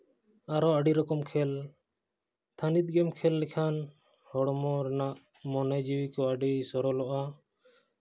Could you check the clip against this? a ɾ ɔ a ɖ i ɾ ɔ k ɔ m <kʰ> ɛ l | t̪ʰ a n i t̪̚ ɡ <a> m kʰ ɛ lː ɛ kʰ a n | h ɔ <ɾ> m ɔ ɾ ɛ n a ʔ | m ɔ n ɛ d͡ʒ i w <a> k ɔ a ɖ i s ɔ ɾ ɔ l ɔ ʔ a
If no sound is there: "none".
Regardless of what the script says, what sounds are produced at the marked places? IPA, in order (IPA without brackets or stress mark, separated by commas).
kʰ, ɛ, ɽ, i